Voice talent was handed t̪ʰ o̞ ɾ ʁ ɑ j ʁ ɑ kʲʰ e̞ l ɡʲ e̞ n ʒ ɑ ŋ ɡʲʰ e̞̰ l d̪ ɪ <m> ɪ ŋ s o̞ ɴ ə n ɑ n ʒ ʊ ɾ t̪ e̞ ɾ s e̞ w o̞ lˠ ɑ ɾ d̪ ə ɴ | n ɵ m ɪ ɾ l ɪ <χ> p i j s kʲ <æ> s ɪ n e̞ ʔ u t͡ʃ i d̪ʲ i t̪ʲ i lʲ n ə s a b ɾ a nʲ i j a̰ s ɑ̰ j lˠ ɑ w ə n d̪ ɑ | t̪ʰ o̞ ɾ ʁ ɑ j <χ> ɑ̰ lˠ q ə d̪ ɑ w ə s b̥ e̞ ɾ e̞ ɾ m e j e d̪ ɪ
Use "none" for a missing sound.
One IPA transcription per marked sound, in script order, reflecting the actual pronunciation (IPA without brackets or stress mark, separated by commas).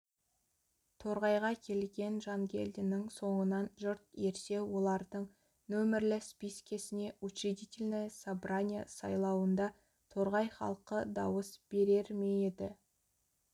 n, s, e, χ